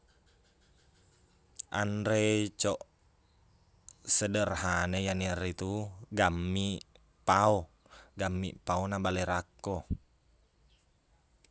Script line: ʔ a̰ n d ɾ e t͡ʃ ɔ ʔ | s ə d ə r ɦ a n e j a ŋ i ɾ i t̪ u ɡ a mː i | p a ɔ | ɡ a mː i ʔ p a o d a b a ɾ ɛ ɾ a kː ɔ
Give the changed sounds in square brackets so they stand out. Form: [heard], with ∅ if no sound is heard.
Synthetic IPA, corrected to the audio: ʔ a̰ n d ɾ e t͡ʃ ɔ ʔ | s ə d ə r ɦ a n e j a [n] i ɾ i t̪ u ɡ a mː i | p a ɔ | ɡ a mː i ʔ p a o [n] a b a [l] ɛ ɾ a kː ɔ